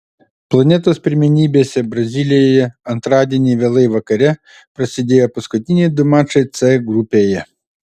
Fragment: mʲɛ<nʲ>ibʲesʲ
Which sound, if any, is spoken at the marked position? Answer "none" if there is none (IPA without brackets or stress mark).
nʲ